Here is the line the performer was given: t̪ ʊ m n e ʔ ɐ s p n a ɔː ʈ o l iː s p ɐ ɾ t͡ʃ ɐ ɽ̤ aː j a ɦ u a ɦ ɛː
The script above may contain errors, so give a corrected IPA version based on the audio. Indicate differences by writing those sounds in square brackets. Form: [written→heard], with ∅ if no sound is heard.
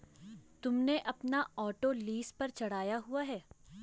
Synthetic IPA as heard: t̪ ʊ m n e ʔ ɐ [s→∅] p n a ɔː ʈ o l iː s p ɐ ɾ t͡ʃ ɐ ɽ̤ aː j a ɦ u a ɦ ɛː